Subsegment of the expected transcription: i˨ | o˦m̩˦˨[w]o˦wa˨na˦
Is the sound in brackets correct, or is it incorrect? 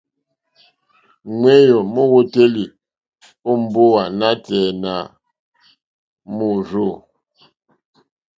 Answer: incorrect